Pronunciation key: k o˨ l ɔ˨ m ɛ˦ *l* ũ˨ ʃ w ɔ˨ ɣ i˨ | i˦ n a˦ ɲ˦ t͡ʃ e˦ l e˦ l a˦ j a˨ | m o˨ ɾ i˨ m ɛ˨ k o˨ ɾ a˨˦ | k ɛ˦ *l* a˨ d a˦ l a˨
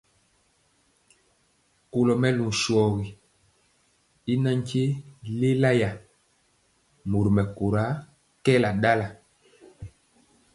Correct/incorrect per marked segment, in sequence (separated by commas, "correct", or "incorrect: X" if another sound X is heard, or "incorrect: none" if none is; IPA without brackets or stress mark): correct, correct